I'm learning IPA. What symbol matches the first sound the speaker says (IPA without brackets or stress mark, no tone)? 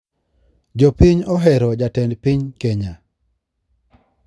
d͡ʒ